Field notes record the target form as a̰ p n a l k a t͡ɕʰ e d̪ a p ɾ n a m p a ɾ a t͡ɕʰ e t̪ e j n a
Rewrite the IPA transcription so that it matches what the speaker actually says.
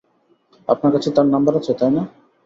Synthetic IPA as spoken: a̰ p n a ɾ k a t͡ɕʰ e t̪ a ɾ n a m b a ɾ a t͡ɕʰ e t̪ a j n a